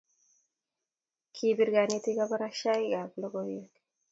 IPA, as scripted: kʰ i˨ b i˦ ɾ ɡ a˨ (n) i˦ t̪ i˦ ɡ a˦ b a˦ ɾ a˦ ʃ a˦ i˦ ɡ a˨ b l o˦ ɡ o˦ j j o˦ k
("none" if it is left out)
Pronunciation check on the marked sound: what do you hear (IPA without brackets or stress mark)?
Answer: n